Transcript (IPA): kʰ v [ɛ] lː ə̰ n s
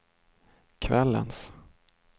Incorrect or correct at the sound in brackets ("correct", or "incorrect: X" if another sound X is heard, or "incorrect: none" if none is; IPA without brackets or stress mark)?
correct